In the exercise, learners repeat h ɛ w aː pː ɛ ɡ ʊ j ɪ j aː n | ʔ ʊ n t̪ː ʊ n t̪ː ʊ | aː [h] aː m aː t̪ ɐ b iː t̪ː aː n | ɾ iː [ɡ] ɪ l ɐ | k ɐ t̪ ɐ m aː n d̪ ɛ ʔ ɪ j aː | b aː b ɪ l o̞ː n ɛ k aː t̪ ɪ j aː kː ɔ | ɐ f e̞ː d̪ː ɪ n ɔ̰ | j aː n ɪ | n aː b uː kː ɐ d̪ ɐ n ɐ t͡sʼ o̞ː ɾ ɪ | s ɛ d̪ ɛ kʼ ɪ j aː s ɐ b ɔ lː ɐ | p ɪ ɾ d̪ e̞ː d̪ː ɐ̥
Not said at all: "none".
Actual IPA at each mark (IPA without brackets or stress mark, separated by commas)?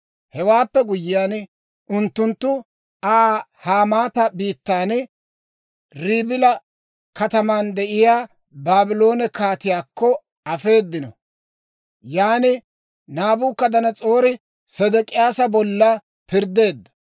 h, b